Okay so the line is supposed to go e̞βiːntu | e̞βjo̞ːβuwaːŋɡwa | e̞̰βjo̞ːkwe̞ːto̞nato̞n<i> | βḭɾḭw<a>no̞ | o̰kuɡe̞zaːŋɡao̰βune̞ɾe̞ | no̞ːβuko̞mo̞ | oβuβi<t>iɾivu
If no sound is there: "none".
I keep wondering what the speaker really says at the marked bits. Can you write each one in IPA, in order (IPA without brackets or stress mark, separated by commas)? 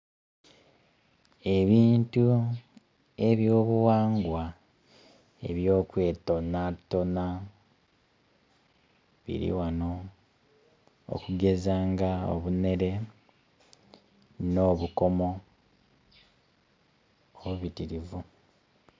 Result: a, a, t